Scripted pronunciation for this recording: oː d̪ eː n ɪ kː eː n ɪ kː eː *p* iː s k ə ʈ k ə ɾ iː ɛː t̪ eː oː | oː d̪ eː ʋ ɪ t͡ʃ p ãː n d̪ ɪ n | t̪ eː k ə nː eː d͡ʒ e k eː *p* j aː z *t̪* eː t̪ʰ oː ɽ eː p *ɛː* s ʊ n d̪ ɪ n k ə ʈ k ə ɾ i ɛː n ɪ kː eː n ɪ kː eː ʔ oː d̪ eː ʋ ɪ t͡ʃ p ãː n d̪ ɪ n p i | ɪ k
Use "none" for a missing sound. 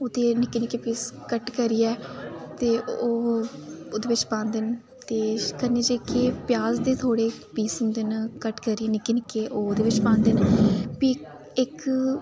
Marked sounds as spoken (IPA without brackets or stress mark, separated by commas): p, p, d̪, iː